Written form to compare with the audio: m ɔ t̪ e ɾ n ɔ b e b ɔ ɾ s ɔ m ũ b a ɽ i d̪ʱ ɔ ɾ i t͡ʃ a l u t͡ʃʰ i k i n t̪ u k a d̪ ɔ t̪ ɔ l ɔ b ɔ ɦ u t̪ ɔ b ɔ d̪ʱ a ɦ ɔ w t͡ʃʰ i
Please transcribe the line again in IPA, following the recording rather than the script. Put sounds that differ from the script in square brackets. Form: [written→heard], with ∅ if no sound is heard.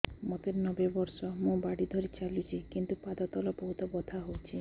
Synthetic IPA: m ɔ t̪ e ɾ n ɔ b e b ɔ ɾ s ɔ m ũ b a ɽ i d̪ʱ ɔ ɾ i t͡ʃ a l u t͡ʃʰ i k i n t̪ u [k→p] a d̪ ɔ t̪ ɔ l ɔ b ɔ ɦ u t̪ ɔ b ɔ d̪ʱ a ɦ [ɔ→o] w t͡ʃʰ i